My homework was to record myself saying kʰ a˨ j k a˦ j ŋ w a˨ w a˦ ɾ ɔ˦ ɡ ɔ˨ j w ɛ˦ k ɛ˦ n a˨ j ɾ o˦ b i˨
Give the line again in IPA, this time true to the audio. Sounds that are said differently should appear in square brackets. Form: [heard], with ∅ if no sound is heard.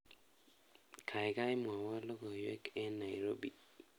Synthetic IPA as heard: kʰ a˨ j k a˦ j [m] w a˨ w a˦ [l] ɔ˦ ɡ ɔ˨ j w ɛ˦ k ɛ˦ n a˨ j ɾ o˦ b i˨